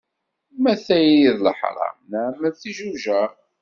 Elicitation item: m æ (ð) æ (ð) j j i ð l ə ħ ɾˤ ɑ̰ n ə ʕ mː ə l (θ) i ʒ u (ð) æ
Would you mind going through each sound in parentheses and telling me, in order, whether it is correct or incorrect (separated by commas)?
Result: incorrect, incorrect, correct, incorrect